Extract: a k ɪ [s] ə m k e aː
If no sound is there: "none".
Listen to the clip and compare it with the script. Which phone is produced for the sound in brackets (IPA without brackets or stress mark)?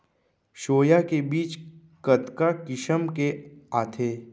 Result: ʃ